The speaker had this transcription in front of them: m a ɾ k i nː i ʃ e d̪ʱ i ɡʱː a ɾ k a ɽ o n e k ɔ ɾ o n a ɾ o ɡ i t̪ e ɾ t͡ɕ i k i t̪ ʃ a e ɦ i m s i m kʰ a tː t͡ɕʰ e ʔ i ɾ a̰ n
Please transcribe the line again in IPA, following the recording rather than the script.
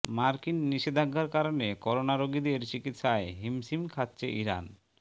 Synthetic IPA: m a ɾ k i nː i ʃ e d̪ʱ a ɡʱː a ɾ k a ɾ o n e k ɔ ɾ o n a ɾ o ɡ i d̪ e ɾ t͡ɕ i k i t̪ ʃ a e ɦ i m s i m kʰ a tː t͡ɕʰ e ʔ i ɾ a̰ n

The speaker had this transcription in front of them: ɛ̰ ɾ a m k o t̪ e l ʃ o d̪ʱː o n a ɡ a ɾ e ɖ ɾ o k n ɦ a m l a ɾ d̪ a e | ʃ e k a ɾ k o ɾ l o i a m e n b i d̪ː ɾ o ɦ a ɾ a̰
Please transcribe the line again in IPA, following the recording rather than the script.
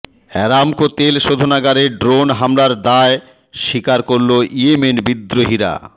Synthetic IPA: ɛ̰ ɾ a m k o t̪ e l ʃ o d̪ʱ o n a ɡ a ɾ e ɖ ɾ o n ɦ a m l a ɾ d̪ a e | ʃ i k a ɾ k o ɾ l o i e m e n b i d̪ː ɾ o ɦ i ɾ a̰

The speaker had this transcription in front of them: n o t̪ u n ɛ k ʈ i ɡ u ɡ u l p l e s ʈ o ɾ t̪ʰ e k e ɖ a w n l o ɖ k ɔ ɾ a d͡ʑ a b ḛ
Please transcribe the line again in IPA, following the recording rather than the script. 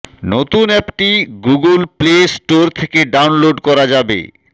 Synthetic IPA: n o t̪ u n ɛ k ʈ i ɡ u ɡ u l p l e s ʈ o ɾ t̪ʰ e k e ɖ a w n l o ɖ k ɔ ɾ a d͡ʑ a b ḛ

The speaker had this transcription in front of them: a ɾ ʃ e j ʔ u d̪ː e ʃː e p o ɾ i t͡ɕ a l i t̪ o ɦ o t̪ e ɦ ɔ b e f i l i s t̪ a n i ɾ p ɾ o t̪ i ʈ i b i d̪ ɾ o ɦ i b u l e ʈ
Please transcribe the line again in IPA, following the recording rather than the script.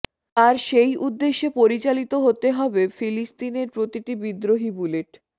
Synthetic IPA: a ɾ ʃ e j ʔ u d̪ː e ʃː e p o ɾ i t͡ɕ a l i t̪ o ɦ o t̪ e ɦ ɔ b e f i l i s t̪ i n e ɾ p ɾ o t̪ i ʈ i b i d̪ ɾ o ɦ i b u l e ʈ

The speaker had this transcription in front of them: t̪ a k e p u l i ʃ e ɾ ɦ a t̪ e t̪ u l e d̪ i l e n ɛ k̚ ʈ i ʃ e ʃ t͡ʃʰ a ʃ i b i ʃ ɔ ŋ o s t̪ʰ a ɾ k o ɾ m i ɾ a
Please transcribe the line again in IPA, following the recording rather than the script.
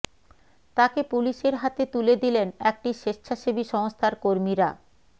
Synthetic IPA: t̪ a k e p u l i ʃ e ɾ ɦ a t̪ e t̪ u l e d̪ i l e n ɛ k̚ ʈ i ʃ e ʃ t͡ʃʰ a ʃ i b i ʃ ɔ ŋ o s t̪ʰ a ɾ k o ɾ m i ɾ a

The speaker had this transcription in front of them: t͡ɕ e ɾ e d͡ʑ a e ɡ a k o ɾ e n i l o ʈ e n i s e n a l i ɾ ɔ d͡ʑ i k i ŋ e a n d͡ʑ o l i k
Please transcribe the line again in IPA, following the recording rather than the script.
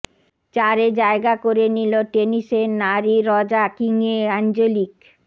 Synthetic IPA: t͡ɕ a ɾ e d͡ʑ a e ɡ a k o ɾ e n i l o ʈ e n i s e n a ɾ i ɾ ɔ d͡ʑ a k i ŋ e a n d͡ʑ o l i k

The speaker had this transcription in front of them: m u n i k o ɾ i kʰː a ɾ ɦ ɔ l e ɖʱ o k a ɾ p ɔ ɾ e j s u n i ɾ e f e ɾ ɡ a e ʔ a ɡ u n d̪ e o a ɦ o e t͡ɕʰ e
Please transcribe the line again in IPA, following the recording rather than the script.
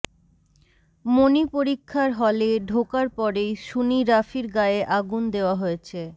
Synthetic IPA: m o n i p o ɾ i kʰː a ɾ ɦ ɔ l e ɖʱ o k a ɾ p ɔ ɾ e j ʃ u n i ɾ a f i ɾ ɡ a e ʔ a ɡ u n d̪ e o a ɦ o e t͡ɕʰ e

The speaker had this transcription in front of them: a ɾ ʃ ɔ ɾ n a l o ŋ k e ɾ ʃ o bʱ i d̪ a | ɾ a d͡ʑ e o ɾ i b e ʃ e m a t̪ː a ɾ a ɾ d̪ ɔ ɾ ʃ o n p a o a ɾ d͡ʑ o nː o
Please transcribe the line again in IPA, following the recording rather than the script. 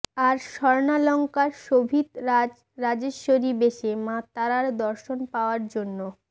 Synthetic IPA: a ɾ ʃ ɔ ɾ n a l ɔ ŋ k a ɾ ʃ o bʱ i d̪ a | ɾ a d͡ʑ e o ɾ i b e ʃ e m a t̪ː a ɾ a ɾ d̪ ɔ ɾ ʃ o n p a o a ɾ d͡ʑ o nː o

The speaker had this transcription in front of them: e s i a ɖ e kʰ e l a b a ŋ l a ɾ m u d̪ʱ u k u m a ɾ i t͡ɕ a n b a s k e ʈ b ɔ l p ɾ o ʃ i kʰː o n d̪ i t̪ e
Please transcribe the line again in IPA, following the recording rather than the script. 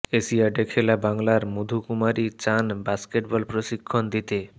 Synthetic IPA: e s i a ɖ e kʰ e l a b a ŋ l a ɾ m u d̪ʱ u k u m a ɾ i t͡ɕ a n b a s k e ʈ b ɔ l p ɾ o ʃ i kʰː o n d̪ i t̪ e

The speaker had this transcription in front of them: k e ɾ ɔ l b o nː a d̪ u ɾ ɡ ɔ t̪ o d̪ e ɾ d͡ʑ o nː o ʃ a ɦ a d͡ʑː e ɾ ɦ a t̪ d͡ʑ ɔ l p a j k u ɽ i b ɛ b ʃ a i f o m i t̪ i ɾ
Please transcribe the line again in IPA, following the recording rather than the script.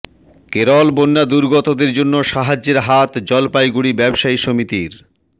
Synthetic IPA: k e ɾ ɔ l b o nː a d̪ u ɾ ɡ ɔ t̪ o d̪ e ɾ d͡ʑ o nː o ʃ a ɦ a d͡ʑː e ɾ ɦ a t̪ d͡ʑ ɔ l p a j ɡ u ɽ i b ɛ b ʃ a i ʃ o m i t̪ i ɾ

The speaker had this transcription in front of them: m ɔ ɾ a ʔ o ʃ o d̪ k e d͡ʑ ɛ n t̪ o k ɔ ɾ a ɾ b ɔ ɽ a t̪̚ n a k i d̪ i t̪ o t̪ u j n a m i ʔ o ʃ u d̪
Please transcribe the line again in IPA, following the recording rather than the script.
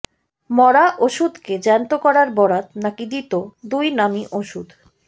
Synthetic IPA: m ɔ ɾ a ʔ o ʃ u d̪ k e d͡ʑ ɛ n t̪ o k ɔ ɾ a ɾ b ɔ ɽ a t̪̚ n a k i d̪ i t̪ o d̪ u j n a m i ʔ o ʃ u d̪

